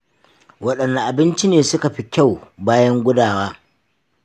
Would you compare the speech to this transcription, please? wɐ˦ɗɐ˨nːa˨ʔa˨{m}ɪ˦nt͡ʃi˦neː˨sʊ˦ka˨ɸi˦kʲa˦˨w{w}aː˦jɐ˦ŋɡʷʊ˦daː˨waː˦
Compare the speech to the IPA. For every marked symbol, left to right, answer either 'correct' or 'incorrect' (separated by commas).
incorrect, incorrect